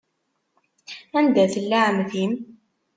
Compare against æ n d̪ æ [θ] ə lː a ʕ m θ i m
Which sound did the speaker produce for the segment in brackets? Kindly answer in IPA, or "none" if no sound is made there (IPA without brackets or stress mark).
θ